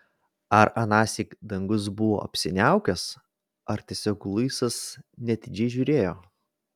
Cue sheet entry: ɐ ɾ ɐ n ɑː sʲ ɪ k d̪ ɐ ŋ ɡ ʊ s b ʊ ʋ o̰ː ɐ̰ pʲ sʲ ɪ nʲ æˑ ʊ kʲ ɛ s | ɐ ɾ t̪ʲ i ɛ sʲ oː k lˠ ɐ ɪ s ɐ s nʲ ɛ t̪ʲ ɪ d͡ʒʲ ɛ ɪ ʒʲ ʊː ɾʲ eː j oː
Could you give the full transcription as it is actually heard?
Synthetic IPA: ɐ ɾ ɐ n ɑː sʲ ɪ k d̪ ɐ ŋ ɡ ʊ s b ʊ ʋ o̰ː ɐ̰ pʲ sʲ ɪ nʲ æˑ ʊ kʲ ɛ s | ɐ ɾ t̪ʲ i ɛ sʲ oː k lˠ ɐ ɪ s ɐ s nʲ ɛ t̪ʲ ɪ d͡ʒʲ ɛ ɪ ʒʲ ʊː ɾʲ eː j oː